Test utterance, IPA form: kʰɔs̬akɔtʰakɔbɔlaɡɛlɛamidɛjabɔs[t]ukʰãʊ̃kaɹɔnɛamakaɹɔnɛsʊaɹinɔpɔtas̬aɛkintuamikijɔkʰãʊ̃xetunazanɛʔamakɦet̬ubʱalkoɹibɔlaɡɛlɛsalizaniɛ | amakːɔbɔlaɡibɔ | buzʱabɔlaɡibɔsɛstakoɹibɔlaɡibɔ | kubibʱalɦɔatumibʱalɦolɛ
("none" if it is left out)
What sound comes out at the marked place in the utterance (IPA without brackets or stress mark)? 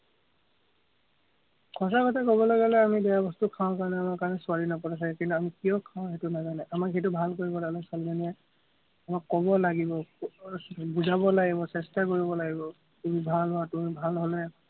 t